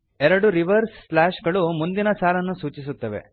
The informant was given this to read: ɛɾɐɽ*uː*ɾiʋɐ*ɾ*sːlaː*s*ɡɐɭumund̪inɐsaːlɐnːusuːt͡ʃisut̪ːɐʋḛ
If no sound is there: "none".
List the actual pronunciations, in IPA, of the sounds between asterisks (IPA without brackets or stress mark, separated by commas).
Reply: u, ɾ, ʃ